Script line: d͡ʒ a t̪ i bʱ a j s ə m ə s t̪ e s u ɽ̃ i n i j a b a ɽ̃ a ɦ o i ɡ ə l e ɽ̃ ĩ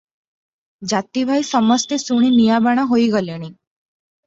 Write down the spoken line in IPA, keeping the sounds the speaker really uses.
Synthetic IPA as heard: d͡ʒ a t̪ i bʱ a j s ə m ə s t̪ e s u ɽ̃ i n i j a b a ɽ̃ a ɦ o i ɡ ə l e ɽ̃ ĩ